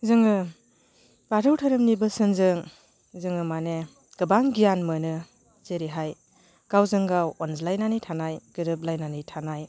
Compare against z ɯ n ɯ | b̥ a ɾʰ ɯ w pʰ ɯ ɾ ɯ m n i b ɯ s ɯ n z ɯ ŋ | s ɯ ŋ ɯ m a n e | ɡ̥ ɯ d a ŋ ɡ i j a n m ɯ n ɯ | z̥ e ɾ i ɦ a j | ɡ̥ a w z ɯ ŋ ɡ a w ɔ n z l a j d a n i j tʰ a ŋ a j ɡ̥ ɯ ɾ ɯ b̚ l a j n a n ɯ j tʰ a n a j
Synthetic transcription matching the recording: z ɯ ŋ ɯ | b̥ a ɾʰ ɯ w tʰ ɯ ɾ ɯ m n i b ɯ s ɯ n z ɯ ŋ | z ɯ ŋ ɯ m a n e | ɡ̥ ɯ b a ŋ ɡ i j a n m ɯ n ɯ | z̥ e ɾ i ɦ a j | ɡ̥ a w z ɯ ŋ ɡ a w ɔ n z l a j n a n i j tʰ a n a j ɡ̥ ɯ ɾ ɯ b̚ l a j n a n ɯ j tʰ a n a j